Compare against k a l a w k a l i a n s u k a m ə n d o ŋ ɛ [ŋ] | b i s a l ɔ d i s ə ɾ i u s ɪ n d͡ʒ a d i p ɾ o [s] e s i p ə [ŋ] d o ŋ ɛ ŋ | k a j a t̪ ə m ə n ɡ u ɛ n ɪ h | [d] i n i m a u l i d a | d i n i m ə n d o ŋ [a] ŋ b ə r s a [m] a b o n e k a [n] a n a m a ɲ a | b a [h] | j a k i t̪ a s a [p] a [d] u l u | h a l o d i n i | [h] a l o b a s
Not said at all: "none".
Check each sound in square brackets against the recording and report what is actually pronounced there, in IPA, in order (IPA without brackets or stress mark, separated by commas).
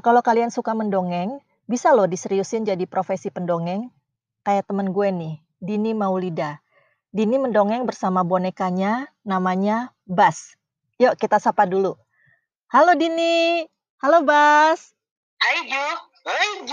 ŋ, f, n, d, ɛ, m, ɲ, s, p, d, h